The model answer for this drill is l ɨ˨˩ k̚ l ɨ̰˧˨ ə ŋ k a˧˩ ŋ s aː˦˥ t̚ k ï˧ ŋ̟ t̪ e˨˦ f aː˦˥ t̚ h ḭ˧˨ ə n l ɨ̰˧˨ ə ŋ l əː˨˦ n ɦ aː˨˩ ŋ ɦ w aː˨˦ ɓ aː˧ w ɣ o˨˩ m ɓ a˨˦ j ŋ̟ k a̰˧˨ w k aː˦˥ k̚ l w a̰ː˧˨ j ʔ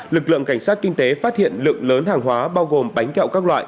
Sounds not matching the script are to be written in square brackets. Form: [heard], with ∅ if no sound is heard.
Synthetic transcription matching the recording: l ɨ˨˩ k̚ l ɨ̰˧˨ ə ŋ k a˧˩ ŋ s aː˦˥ t̚ k ï˧ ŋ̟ t̪ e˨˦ f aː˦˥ t̚ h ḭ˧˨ ə n l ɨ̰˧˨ ə ŋ l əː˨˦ n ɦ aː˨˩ ŋ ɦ w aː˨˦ ɓ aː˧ w ɣ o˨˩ m ɓ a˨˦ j ŋ̟ k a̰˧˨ w k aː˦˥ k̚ l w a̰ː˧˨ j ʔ